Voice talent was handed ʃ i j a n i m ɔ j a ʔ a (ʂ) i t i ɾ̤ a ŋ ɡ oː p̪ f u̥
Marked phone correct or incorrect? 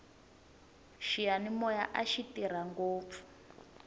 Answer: incorrect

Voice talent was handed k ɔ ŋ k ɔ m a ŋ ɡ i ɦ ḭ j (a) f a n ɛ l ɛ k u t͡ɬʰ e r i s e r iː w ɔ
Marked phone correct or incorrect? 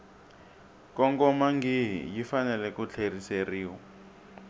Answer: incorrect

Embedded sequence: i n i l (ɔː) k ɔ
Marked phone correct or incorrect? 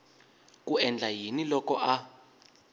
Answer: incorrect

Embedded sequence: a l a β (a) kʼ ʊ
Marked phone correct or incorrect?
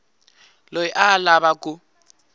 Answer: correct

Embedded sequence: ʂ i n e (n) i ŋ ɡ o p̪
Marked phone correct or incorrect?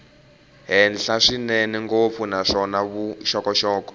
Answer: correct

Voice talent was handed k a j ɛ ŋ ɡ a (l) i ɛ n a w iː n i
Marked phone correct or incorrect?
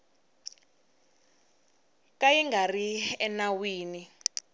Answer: incorrect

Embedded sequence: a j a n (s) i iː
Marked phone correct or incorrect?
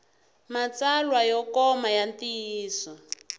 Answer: incorrect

